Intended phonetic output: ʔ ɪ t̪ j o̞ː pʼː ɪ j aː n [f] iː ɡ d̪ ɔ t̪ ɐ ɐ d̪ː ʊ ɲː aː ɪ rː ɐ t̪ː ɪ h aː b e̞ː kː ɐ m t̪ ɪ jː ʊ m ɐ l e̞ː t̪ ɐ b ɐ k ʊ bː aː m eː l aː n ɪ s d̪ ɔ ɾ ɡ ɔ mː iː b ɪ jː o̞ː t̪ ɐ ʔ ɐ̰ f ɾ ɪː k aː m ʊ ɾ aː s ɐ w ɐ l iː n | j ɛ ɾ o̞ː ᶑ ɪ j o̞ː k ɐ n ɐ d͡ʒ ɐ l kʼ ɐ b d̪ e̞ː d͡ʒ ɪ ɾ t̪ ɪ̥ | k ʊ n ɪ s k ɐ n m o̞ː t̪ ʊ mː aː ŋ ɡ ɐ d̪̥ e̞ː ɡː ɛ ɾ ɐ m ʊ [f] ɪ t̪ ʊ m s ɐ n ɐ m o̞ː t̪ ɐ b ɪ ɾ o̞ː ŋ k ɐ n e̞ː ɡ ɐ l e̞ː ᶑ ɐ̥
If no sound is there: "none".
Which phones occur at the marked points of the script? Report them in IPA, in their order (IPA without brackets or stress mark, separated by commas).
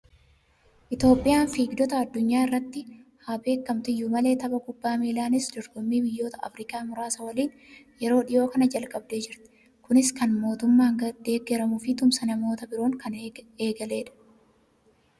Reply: f, f